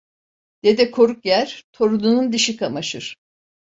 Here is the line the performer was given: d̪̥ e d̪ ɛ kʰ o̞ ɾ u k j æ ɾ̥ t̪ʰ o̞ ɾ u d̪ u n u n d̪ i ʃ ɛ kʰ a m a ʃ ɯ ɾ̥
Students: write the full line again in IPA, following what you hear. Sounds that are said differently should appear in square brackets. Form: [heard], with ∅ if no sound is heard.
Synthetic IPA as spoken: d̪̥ e d̪ ɛ kʰ o̞ ɾ u k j æ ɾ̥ t̪ʰ o̞ ɾ u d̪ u n u n d̪ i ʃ [i] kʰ a m a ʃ ɯ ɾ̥